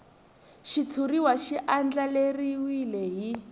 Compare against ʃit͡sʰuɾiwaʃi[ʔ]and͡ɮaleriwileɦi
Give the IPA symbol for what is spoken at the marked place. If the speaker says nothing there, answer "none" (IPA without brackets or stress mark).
ʔ